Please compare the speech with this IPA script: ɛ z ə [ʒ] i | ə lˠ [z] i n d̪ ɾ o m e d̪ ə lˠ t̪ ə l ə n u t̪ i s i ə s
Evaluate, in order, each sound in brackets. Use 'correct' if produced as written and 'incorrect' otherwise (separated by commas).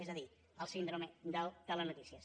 incorrect, incorrect